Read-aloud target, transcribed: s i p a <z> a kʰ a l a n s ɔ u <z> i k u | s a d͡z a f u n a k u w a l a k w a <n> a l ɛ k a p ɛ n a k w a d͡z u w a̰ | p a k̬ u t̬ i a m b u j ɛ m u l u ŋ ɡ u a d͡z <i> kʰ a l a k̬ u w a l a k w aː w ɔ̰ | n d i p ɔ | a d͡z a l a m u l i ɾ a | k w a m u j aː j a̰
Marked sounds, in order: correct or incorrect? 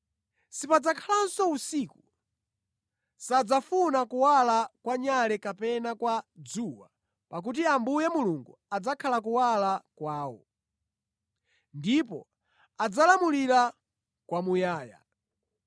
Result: incorrect, incorrect, incorrect, incorrect

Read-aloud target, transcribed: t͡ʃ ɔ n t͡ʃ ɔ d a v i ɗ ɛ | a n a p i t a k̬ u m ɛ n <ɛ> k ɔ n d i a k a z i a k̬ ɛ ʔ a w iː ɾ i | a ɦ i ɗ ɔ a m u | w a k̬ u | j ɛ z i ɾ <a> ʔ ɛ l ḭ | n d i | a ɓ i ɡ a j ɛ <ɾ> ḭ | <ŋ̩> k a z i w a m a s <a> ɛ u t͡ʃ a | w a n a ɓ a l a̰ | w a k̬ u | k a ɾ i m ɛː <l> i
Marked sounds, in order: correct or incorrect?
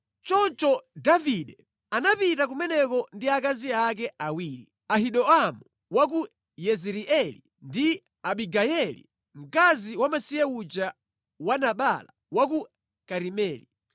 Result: correct, incorrect, incorrect, incorrect, incorrect, correct

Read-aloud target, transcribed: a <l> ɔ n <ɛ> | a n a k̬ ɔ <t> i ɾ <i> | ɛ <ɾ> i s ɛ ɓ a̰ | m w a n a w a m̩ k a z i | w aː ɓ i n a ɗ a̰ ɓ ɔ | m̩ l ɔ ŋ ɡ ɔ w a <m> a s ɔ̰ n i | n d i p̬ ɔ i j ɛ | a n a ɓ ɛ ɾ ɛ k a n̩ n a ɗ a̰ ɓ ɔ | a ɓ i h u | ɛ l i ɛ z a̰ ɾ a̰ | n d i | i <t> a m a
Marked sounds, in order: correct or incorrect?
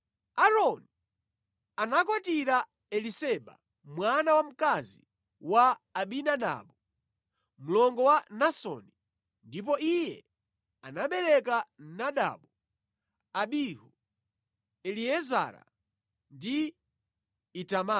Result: incorrect, incorrect, correct, incorrect, incorrect, incorrect, correct

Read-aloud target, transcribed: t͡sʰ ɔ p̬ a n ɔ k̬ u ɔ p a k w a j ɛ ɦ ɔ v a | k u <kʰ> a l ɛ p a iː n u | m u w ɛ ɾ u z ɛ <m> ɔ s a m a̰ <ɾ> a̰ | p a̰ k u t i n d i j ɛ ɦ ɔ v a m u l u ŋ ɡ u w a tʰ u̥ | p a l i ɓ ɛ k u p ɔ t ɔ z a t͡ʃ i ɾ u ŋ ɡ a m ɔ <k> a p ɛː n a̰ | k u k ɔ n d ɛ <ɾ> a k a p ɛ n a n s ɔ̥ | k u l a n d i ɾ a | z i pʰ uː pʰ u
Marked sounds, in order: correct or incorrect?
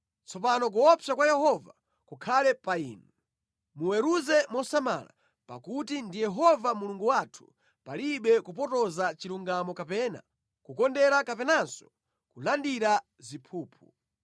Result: correct, correct, incorrect, correct, correct

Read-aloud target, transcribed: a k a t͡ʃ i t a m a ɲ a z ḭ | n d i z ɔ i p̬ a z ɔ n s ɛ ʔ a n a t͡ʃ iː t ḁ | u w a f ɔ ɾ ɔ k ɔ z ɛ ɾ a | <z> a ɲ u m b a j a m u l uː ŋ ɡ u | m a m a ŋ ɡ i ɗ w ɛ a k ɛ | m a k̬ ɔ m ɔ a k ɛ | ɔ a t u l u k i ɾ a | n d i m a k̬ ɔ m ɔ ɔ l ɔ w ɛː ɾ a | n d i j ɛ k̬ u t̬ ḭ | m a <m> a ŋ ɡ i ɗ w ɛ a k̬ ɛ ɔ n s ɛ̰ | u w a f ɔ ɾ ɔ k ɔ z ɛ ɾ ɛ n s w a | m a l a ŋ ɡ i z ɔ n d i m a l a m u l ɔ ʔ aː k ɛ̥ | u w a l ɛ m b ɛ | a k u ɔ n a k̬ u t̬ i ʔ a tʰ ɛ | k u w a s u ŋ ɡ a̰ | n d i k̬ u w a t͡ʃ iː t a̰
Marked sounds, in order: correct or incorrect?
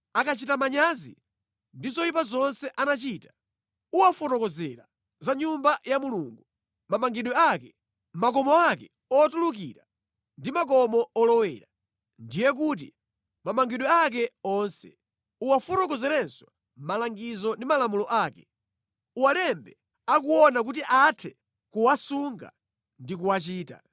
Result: correct, correct

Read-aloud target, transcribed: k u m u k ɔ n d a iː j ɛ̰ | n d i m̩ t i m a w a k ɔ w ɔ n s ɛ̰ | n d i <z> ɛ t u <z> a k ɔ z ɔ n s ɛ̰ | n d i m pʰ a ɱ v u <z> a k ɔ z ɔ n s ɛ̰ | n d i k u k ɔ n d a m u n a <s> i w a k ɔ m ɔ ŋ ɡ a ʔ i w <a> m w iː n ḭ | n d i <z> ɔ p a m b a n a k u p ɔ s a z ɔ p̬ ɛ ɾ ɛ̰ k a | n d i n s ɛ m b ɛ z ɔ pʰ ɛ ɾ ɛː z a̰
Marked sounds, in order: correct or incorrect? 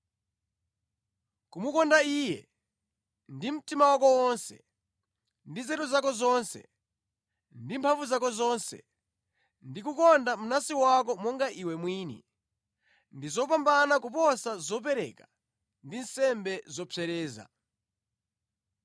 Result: correct, correct, correct, correct, incorrect, correct

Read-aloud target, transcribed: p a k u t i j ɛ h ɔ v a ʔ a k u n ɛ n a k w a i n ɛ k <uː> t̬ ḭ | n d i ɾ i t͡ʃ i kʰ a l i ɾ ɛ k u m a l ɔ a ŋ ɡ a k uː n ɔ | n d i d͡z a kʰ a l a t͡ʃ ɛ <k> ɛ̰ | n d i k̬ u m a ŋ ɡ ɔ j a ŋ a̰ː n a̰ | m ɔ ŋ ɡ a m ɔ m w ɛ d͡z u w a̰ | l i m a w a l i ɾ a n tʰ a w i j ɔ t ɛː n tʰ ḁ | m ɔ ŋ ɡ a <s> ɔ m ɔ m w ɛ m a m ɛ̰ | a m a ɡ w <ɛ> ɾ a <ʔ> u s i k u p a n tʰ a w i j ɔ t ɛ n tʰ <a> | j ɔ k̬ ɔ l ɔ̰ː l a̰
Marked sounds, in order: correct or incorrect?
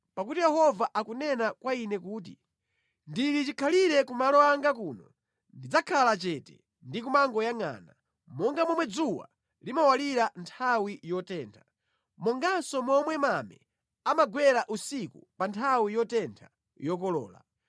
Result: correct, incorrect, correct, correct, correct, correct

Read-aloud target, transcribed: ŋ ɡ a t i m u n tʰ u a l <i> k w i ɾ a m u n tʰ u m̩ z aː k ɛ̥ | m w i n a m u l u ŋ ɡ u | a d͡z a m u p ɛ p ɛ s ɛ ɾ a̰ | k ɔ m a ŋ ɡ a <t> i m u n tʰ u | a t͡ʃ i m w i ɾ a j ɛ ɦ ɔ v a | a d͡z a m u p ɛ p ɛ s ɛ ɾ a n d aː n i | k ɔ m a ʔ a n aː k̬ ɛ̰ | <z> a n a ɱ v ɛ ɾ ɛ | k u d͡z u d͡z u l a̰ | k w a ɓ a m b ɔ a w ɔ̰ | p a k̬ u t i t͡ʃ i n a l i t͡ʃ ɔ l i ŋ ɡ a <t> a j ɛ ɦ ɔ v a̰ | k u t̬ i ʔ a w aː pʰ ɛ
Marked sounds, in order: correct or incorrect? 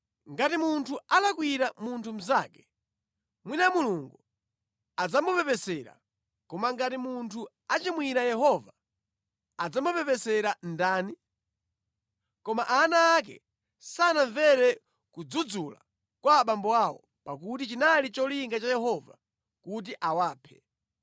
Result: incorrect, correct, incorrect, incorrect

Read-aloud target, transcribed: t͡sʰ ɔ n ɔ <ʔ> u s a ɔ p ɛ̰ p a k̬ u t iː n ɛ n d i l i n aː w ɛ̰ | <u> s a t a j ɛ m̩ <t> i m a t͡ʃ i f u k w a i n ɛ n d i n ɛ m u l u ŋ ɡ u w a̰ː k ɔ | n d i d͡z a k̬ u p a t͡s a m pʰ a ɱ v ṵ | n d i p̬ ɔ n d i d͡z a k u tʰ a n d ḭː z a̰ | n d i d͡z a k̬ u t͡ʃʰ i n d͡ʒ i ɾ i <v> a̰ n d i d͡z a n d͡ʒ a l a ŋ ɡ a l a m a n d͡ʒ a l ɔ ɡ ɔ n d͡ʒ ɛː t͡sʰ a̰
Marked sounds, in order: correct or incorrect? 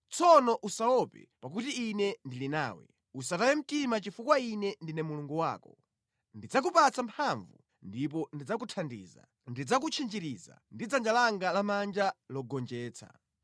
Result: correct, correct, correct, incorrect

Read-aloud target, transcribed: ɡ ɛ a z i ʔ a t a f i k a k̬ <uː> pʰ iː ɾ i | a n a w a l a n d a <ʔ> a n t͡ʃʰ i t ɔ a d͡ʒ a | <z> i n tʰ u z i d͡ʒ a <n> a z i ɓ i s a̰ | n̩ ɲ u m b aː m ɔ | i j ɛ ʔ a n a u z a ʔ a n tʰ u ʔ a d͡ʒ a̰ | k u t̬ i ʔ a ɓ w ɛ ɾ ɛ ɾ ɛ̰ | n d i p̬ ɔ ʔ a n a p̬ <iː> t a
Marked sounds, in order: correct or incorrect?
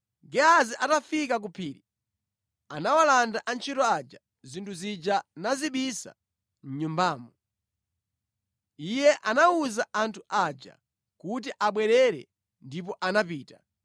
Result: incorrect, correct, correct, correct, correct

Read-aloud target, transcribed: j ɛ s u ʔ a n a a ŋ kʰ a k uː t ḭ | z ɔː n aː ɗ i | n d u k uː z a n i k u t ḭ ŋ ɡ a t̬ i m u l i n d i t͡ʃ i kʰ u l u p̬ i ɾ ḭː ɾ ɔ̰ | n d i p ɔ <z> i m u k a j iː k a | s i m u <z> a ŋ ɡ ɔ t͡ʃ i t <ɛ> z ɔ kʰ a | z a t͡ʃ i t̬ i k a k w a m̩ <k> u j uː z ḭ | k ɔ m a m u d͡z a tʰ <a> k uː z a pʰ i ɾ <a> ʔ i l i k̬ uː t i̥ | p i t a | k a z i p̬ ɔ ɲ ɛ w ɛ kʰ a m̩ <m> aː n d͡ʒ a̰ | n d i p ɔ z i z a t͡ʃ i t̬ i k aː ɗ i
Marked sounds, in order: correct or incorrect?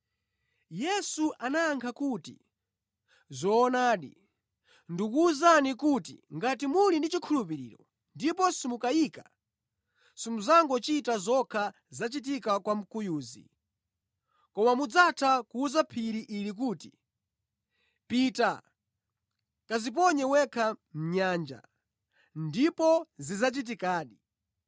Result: incorrect, correct, incorrect, correct, correct, incorrect, incorrect

